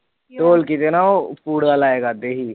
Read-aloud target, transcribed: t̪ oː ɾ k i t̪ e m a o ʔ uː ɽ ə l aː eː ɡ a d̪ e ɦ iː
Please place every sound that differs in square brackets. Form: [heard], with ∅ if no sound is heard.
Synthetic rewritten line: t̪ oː [l] k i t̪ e [n] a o [p] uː ɽ [a] l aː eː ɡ a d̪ e ɦ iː